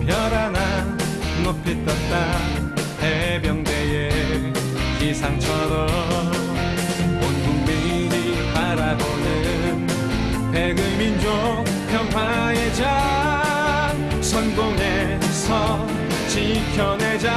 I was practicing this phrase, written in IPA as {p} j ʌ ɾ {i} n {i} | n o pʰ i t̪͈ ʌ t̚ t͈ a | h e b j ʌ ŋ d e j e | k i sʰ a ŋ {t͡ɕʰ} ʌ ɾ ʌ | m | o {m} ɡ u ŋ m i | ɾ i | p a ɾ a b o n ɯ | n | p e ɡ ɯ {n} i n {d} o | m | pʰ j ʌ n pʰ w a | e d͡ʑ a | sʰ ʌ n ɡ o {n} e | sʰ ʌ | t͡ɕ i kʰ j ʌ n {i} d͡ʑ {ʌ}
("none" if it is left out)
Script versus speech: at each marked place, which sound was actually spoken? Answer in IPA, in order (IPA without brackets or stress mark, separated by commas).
p, a, a, t͡ɕʰ, n, m, d͡ʑ, ŋ, e, a